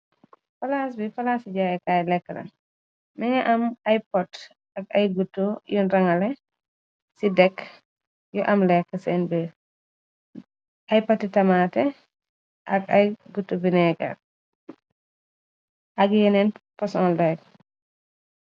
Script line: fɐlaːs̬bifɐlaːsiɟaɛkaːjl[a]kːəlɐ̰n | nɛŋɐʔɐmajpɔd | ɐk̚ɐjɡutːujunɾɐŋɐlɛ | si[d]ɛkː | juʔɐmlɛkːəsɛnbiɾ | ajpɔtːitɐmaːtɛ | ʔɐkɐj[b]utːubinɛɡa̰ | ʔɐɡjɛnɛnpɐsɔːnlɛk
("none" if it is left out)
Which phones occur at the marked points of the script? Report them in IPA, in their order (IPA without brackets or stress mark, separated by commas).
ɛ, d, ɡ